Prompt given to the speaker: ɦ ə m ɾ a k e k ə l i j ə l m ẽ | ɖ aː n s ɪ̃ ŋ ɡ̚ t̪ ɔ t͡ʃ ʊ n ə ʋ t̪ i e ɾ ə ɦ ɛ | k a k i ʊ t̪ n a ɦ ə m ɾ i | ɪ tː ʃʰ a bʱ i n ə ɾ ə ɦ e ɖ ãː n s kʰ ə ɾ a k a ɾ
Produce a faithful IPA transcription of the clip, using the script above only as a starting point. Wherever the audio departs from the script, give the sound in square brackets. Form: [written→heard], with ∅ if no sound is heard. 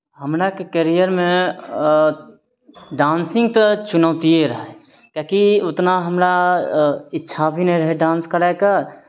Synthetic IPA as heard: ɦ ə m ɾ a k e k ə [l→ɾ] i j ə [l→ɾ] m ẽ | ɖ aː n s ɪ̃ ŋ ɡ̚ t̪ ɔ t͡ʃ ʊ n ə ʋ t̪ i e ɾ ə ɦ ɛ | k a k i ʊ t̪ n a ɦ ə m ɾ [i→a] | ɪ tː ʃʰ a bʱ i n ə ɾ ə ɦ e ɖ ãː n s [kʰ→k] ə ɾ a k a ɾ